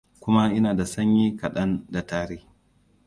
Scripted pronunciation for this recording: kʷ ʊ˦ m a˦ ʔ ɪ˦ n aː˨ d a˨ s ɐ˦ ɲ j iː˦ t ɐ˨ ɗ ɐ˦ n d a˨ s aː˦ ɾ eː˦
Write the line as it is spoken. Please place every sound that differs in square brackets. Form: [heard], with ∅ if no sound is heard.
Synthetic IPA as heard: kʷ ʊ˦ m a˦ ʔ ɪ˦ n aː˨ d a˨ s ɐ˦ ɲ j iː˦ [k] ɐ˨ ɗ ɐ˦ n d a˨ [t] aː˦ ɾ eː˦